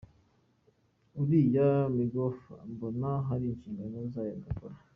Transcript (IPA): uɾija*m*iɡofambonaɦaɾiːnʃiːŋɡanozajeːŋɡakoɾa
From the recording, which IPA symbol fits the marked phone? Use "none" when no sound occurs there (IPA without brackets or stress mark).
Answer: m